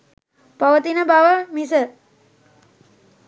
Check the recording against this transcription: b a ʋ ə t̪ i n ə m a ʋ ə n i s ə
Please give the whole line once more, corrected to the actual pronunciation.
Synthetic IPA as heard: p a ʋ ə t̪ i n ə b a ʋ ə m i s ə